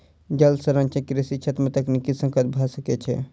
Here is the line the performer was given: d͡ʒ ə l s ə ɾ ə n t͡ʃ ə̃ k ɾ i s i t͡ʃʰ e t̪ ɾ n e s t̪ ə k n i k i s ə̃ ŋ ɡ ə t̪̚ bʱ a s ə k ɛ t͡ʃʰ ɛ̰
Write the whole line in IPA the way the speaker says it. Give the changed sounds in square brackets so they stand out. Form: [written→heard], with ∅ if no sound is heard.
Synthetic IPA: d͡ʒ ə l s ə ɾ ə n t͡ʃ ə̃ k ɾ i s i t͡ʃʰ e t̪ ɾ [n→m] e [s→∅] t̪ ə k n i k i s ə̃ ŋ [ɡ→k] ə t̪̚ bʱ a s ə k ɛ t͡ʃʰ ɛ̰